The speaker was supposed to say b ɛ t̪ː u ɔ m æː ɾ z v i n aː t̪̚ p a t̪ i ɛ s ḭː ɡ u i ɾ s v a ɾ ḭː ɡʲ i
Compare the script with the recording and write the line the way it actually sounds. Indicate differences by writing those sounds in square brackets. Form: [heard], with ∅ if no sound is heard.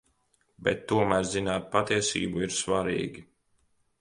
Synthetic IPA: b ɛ t̪ː u ɔ m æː ɾ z [z] i n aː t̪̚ p a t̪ i ɛ s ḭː [b] u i ɾ s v a ɾ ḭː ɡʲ i